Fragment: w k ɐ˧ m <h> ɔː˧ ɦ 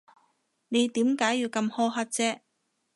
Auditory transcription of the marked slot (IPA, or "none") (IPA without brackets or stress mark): h